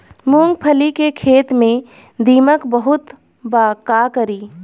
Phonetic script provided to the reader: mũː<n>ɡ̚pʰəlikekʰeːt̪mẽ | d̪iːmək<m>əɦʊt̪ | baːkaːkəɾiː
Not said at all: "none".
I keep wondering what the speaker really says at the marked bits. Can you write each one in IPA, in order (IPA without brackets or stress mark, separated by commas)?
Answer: ŋ, b